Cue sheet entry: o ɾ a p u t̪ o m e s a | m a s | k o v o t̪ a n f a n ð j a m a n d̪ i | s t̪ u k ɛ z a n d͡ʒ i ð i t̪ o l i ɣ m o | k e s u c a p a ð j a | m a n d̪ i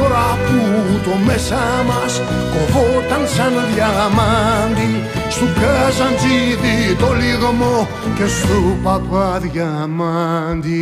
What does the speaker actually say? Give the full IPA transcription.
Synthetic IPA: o ɾ a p u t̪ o m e s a | m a s | k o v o t̪ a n s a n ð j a m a n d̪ i | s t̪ u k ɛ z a n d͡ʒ i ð i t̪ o l i ɣ m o | k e s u p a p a ð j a | m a n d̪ i